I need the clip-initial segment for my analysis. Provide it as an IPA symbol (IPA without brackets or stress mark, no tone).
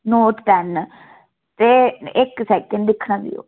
n